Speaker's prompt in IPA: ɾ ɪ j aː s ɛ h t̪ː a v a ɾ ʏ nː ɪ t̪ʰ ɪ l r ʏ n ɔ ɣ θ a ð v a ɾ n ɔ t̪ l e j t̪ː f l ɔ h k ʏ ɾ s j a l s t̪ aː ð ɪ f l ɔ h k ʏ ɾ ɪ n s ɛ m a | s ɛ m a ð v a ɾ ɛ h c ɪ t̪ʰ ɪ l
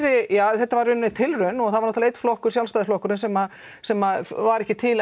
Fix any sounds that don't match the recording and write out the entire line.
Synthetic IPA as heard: ɾ ɪ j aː θ ɛ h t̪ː a v a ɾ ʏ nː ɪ t̪ʰ ɪ l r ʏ n ɔ ɣ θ a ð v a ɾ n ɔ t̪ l e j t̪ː f l ɔ h k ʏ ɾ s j a l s t̪ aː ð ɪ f l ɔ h k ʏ ɾ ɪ n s ɛ m a | s ɛ m a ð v a ɾ ɛ h c ɪ t̪ʰ ɪ l